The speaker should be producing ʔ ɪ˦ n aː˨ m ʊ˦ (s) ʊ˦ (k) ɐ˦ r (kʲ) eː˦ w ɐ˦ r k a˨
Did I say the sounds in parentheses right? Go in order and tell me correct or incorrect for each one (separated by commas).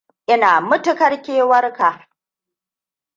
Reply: incorrect, correct, correct